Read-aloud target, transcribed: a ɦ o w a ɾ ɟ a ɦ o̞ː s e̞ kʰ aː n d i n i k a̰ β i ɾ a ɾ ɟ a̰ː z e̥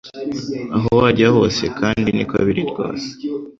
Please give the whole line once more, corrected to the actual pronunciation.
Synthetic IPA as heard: a ɦ o w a ɾ ɟ a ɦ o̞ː s e̞ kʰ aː n d i n i k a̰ β i ɾ i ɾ ɡ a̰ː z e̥